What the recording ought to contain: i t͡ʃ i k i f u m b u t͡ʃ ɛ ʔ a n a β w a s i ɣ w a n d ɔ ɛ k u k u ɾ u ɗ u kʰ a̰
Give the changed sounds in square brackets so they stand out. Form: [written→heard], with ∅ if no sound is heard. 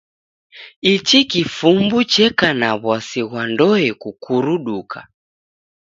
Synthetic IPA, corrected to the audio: i t͡ʃ i k i f u m b u t͡ʃ ɛ [ʔ→k] a n a β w a s i ɣ w a n d ɔ ɛ k u k u ɾ u ɗ u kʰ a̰